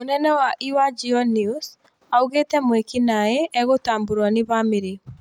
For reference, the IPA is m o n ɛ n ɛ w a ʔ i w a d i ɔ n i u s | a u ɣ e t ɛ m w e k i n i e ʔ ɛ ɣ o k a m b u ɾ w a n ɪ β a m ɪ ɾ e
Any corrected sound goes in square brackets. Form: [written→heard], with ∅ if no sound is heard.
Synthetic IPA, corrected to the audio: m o n ɛ n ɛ w a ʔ i w a [d→d͡ʒ] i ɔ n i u s | a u ɣ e t ɛ m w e k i n [i→a] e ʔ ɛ ɣ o [k→t] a m b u ɾ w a n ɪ β a m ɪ ɾ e